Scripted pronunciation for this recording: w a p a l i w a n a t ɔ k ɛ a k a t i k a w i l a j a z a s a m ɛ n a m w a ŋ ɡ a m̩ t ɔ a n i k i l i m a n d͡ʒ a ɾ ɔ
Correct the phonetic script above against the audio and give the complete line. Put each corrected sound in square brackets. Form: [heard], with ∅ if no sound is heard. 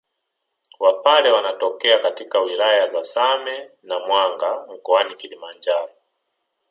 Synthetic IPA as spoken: w a p a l [ɛ] w a n a t ɔ k ɛ a k a t i k a w i l a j a z a s a m ɛ n a m w a ŋ ɡ a m̩ [k] ɔ a n i k i l i m a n d͡ʒ a ɾ ɔ